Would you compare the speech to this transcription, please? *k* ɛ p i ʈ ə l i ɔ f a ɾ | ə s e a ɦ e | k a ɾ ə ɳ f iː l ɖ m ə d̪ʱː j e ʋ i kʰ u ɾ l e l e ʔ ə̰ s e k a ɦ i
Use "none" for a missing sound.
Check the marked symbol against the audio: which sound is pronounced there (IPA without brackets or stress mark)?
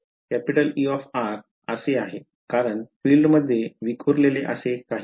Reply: k